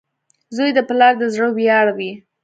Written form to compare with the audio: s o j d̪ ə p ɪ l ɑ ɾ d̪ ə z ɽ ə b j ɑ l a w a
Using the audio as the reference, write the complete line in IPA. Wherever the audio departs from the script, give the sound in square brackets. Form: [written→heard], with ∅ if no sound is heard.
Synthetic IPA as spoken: [s→z] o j d̪ ə p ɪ l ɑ ɾ d̪ ə z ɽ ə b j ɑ [l→ɽ] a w [a→i]